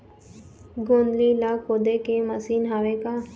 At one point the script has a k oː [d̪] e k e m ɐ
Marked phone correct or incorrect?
correct